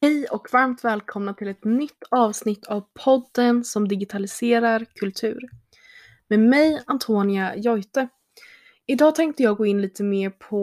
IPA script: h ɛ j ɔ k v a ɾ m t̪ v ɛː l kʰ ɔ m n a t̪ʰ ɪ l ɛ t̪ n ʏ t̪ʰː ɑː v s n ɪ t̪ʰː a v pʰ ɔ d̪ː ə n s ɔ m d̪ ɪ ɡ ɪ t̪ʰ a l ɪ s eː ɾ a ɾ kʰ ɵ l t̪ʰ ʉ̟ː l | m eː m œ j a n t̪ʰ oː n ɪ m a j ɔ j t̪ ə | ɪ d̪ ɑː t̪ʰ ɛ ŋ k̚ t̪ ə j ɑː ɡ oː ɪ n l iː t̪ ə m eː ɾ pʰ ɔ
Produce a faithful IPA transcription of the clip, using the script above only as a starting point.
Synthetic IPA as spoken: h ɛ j ɔ k v a ɾ m t̪ v ɛː l kʰ ɔ m n a t̪ʰ ɪ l ɛ t̪ n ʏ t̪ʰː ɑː v s n ɪ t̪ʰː a v pʰ ɔ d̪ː ə n s ɔ m d̪ ɪ ɡ ɪ t̪ʰ a l ɪ s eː ɾ a ɾ kʰ ɵ l t̪ʰ ʉ̟ː ɾ | m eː m ɛ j a n t̪ʰ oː n ɪ a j ɔ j t̪ ə | ɪ d̪ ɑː t̪ʰ ɛ ŋ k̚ t̪ ə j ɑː ɡ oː ɪ n l iː t̪ ə m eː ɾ pʰ ɔ